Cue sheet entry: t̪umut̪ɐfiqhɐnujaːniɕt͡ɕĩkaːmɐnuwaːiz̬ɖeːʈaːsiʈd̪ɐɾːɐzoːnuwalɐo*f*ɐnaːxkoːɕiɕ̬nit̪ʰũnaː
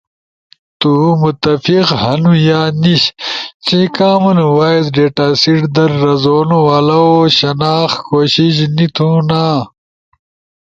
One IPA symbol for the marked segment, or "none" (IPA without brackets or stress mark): ɕ